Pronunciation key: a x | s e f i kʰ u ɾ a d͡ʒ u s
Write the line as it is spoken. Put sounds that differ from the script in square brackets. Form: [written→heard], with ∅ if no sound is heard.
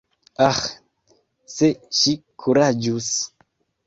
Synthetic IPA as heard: a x | s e [f→ʃ] i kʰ u ɾ a d͡ʒ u s